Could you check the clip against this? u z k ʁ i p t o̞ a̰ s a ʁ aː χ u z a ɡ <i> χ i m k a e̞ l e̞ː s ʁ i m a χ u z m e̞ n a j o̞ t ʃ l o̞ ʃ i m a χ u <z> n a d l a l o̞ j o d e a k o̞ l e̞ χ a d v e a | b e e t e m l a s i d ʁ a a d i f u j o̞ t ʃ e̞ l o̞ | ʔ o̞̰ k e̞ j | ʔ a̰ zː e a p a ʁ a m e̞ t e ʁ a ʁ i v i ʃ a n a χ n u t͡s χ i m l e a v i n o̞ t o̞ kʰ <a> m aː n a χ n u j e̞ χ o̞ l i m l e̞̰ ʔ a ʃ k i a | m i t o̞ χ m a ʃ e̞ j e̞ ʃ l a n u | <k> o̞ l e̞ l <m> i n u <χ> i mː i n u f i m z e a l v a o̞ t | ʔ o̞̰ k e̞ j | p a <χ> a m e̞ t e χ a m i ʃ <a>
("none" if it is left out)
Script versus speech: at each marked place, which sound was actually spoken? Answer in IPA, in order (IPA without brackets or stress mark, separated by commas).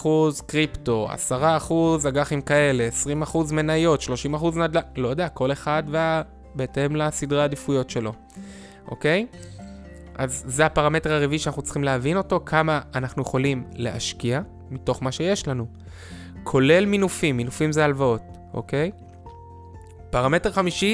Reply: a, z, a, kʰ, m, f, ʁ, i